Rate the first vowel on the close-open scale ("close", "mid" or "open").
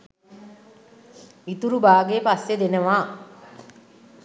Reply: close